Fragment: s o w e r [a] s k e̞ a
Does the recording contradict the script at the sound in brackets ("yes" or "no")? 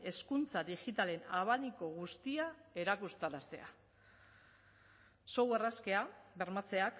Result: no